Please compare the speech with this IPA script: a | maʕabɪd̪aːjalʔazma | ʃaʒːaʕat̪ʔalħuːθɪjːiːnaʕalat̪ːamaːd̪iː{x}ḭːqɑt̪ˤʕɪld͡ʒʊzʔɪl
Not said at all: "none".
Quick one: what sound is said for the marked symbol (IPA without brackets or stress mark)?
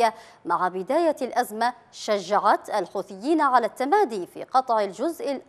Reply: f